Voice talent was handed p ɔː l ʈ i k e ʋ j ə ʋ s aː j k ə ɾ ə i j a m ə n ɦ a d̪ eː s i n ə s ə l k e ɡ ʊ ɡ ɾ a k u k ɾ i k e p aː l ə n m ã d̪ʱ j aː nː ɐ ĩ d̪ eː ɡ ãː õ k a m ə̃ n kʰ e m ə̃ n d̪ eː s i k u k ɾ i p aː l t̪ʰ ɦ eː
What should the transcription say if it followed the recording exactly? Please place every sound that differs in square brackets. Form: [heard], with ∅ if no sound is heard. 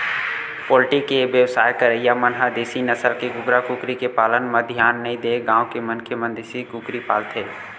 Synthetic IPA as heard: p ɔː l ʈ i k e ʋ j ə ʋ s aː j k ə ɾ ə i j a m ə n ɦ a d̪ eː s i n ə s ə l k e ɡ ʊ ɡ ɾ a k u k ɾ i k e p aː l ə n m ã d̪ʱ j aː nː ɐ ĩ d̪ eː ɡ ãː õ k [e] m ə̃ n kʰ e m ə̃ n d̪ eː s i k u k ɾ i p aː l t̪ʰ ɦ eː